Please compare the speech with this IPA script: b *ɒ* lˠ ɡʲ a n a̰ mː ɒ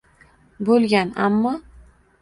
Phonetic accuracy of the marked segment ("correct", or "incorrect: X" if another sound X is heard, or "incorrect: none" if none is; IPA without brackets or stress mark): incorrect: o